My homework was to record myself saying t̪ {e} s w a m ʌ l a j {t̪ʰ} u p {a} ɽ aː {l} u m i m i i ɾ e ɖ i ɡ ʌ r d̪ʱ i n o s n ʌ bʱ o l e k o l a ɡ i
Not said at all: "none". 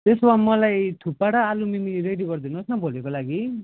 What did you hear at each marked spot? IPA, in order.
e, t̪ʰ, a, l

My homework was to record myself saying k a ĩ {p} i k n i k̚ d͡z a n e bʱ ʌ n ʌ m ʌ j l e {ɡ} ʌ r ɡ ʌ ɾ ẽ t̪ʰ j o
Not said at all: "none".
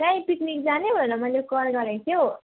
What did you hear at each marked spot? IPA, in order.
p, k

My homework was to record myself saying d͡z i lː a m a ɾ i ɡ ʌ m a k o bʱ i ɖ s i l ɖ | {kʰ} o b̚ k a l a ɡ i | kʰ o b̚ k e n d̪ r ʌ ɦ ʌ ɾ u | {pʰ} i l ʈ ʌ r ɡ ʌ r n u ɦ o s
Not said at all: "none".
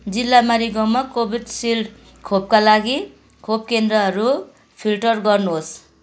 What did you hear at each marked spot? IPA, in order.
kʰ, pʰ

